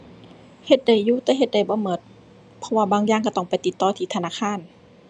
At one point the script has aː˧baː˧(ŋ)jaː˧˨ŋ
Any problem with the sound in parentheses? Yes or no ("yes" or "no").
no